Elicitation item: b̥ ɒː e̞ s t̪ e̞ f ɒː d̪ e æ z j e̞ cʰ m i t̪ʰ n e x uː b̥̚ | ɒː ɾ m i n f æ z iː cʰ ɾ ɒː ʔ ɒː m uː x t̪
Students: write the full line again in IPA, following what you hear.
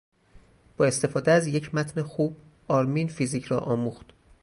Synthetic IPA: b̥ ɒː e̞ s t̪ e̞ f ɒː d̪ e æ z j e̞ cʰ m æ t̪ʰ n e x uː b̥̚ | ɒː ɾ m i n f i z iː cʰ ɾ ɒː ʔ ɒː m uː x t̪